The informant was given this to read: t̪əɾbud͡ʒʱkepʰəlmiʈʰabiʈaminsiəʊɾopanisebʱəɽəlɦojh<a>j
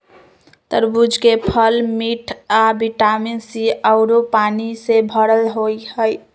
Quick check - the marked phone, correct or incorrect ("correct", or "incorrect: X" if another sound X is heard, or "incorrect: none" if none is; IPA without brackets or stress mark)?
incorrect: ə